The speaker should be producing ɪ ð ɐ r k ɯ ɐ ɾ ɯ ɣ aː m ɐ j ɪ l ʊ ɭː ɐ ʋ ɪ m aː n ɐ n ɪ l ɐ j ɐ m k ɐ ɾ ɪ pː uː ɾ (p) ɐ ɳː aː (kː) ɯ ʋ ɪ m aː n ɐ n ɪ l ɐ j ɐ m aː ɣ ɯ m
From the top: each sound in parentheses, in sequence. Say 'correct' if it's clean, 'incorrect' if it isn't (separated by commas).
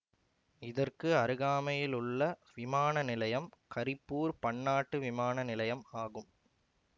correct, incorrect